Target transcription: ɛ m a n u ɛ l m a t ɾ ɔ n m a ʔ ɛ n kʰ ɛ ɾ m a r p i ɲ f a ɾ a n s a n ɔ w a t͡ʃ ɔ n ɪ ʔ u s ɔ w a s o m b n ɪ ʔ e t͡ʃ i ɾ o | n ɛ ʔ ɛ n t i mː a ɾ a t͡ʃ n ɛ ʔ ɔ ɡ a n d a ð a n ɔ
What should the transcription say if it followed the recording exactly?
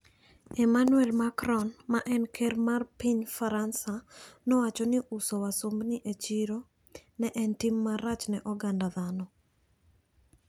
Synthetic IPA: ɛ m a n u ɛ l m a k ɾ ɔ n m a ʔ ɛ n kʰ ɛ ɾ m a r p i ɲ f a ɾ a n s a n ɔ w a t͡ʃ ɔ n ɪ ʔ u s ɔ w a s o m b n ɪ ʔ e t͡ʃ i ɾ o | n ɛ ʔ ɛ n t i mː a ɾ a t͡ʃ n ɛ ʔ ɔ ɡ a n d a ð a n ɔ